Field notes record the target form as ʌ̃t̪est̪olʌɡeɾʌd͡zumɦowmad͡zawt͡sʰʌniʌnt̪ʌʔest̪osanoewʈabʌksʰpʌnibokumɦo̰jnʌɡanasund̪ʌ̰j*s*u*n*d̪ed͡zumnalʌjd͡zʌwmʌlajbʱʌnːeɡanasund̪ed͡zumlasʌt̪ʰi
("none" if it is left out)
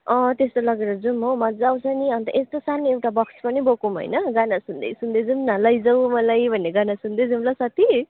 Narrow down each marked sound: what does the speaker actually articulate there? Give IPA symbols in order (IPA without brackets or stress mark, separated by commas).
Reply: s, n